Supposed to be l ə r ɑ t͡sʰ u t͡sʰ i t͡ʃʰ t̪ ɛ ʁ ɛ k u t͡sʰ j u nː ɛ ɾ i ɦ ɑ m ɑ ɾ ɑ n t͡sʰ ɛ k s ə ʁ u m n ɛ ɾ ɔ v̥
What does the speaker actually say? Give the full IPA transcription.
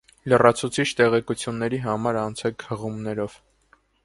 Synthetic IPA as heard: l ə r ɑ t͡sʰ u t͡sʰ i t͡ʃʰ t̪ ɛ ʁ ɛ k u t͡sʰ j u nː ɛ ɾ i ɦ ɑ m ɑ ɾ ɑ n t͡sʰ ɛ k h ə ʁ u m n ɛ ɾ ɔ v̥